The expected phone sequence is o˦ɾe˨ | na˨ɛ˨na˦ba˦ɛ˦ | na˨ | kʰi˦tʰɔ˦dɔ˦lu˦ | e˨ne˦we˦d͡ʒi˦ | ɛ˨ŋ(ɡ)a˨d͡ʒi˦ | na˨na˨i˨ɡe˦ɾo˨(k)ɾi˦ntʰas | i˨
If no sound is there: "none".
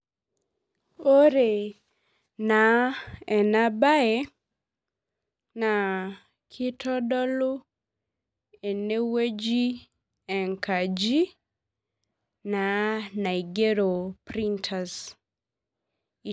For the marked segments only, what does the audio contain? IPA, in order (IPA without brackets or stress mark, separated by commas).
k, p